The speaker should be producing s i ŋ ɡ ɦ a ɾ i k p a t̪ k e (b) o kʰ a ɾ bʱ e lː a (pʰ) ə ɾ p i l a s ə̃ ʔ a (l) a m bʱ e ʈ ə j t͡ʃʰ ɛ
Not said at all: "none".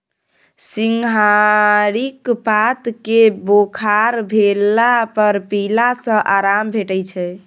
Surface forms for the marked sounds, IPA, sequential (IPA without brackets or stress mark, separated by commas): b, p, ɾ